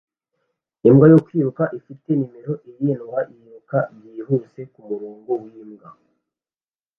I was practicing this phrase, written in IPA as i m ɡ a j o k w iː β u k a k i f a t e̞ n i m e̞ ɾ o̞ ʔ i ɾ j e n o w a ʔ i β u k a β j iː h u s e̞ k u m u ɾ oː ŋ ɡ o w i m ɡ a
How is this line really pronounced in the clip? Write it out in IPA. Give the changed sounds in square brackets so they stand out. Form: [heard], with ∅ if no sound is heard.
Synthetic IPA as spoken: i m ɡ a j o k w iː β u k a [ʔ] i f [i] t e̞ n i m e̞ ɾ o̞ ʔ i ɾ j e n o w a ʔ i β u k a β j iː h u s e̞ k u m u ɾ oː ŋ ɡ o w i m ɡ a